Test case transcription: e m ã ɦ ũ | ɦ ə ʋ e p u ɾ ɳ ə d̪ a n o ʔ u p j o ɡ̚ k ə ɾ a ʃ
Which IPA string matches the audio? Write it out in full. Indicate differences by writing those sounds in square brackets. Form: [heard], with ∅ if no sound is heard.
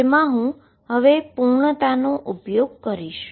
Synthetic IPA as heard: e m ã ɦ ũ | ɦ ə ʋ e p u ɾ ɳ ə [t̪] a n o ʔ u p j o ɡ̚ k ə ɾ [i] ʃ